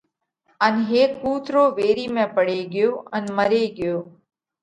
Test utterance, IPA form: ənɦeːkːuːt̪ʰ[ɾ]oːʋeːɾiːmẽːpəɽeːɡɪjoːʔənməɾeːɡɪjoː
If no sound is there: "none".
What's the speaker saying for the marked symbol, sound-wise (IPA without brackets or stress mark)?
ɾ